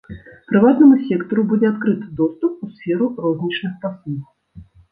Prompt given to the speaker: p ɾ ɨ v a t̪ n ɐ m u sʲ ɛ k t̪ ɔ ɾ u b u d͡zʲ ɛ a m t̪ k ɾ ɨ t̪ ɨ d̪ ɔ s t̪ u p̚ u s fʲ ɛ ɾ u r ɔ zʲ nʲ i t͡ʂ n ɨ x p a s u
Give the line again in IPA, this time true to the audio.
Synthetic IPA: p ɾ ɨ v a t̪ n ɐ m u sʲ ɛ k t̪ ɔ ɾ u b u d͡zʲ ɛ a t̪ k ɾ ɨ t̪ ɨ d̪ ɔ s t̪ u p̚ u s fʲ ɛ ɾ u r ɔ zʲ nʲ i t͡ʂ n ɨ x p a s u